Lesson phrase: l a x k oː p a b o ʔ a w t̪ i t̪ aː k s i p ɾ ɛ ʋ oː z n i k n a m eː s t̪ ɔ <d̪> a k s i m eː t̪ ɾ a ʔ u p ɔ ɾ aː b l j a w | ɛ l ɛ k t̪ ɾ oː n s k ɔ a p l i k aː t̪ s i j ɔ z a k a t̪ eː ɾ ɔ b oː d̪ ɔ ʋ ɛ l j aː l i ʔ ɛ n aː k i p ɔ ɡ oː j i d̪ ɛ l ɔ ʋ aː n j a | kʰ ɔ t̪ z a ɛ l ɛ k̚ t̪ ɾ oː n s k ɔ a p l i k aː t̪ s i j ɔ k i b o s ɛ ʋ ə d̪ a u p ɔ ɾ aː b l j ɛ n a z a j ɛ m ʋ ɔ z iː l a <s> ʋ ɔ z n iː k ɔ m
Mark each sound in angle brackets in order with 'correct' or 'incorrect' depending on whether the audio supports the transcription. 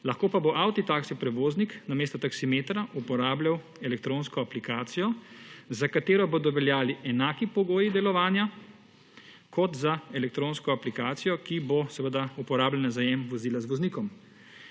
incorrect: t̪, incorrect: z

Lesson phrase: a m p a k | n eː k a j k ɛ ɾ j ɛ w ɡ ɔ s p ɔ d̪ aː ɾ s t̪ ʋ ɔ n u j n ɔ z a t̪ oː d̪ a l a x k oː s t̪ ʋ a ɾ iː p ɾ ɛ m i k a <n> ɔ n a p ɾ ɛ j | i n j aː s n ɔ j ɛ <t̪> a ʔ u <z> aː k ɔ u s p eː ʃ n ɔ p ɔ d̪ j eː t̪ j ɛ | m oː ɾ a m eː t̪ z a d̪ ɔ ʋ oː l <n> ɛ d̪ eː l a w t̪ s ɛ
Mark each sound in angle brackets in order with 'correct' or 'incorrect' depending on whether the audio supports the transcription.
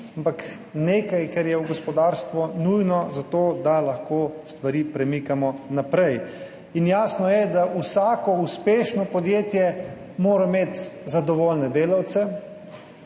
incorrect: m, incorrect: d̪, incorrect: s, correct

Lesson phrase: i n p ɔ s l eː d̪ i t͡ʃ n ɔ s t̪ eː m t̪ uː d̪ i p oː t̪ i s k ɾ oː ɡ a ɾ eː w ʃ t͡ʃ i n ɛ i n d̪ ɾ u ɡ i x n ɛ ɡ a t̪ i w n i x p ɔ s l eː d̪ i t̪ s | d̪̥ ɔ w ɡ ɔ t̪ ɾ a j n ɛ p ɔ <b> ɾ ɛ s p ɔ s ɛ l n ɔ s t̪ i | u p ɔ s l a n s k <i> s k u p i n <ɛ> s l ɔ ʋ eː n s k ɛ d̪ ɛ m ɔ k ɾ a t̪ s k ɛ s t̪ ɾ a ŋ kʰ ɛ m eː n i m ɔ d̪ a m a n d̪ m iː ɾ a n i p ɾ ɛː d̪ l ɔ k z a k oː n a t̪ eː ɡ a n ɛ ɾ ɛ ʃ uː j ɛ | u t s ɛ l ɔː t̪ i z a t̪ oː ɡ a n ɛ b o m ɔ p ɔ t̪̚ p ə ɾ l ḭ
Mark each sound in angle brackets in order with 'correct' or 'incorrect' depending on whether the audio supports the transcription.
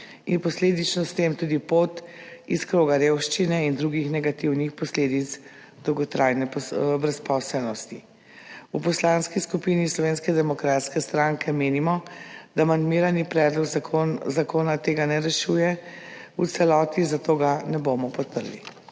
correct, correct, incorrect: i

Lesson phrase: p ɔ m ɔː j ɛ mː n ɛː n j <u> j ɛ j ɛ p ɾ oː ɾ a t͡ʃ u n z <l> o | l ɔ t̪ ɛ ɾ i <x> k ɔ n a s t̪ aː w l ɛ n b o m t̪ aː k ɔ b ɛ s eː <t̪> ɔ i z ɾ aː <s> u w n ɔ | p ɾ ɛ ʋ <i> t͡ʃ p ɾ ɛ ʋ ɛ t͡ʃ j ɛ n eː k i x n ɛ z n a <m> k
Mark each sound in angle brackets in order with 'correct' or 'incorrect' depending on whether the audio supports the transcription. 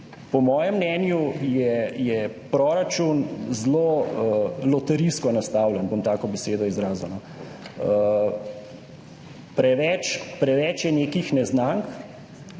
correct, correct, incorrect: s, incorrect: d̪, incorrect: z, incorrect: ɛ, incorrect: ŋ

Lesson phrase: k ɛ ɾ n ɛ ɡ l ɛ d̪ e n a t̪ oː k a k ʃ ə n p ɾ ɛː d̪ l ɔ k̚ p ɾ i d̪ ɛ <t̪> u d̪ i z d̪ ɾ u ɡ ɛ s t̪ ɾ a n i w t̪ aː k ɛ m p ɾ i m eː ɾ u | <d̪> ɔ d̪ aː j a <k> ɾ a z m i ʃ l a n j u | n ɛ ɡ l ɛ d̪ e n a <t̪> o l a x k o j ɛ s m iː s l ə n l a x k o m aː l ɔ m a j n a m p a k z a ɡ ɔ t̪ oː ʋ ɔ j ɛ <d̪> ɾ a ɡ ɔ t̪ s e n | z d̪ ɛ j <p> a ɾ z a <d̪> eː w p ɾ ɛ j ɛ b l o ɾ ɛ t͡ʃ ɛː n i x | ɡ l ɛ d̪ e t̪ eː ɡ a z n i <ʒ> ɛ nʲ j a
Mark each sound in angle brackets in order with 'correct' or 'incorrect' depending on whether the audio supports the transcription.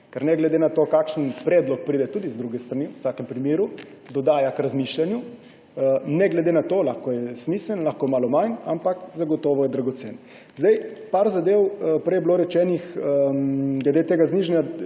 correct, correct, correct, correct, correct, correct, correct, correct

